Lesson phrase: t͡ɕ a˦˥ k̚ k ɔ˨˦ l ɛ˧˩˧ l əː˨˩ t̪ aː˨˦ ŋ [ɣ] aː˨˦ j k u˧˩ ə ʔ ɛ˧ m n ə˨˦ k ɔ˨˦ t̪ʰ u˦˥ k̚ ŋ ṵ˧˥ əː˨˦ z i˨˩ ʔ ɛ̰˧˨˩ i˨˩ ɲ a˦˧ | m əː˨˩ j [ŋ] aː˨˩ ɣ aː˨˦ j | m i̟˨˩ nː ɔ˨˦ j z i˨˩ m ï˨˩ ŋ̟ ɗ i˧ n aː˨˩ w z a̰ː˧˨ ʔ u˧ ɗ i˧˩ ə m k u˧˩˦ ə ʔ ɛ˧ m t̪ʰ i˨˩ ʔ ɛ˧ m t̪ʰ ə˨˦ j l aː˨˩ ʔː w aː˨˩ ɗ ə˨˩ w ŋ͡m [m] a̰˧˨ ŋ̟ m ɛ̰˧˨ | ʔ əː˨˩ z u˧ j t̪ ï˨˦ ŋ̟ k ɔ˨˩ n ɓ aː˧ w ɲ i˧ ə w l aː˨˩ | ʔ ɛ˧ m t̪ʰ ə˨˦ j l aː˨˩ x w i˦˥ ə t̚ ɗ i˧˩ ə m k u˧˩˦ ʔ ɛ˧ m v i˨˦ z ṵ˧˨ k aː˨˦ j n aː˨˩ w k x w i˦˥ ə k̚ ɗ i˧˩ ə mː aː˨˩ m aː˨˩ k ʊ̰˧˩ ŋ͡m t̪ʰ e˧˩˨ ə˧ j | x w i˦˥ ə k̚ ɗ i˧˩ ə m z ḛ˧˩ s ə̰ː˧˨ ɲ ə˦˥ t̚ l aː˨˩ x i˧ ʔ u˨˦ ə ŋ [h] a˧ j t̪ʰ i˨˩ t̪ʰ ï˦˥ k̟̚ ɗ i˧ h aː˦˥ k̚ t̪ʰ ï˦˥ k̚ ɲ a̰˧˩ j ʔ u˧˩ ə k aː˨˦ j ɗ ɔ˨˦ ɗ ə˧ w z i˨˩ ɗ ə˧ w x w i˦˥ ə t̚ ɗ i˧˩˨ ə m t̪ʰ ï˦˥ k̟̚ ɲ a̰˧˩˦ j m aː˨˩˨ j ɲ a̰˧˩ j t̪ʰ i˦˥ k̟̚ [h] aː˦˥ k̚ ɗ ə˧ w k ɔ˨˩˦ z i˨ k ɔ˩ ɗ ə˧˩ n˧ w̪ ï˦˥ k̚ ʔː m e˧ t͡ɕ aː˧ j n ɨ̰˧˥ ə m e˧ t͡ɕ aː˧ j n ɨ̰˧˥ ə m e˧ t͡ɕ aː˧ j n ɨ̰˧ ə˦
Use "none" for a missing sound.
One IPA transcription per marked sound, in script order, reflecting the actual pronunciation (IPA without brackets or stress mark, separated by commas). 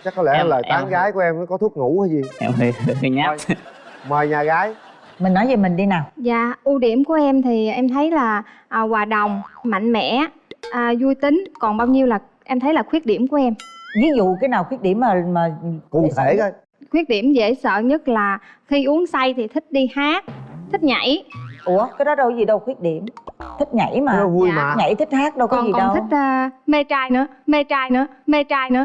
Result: ɣ, ɲ, m, s, h